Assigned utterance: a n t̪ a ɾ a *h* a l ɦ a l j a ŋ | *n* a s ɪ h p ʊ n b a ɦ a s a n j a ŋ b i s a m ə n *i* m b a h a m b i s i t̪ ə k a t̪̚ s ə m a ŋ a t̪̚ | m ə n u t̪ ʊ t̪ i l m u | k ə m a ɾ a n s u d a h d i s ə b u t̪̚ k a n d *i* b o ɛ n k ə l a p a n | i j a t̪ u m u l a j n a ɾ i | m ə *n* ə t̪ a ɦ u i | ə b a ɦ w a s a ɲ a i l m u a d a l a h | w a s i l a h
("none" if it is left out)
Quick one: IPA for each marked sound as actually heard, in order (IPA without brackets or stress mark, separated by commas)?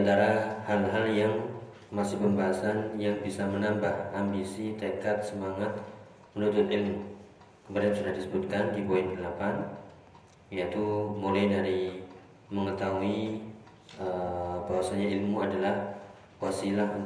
h, m, a, i, ŋ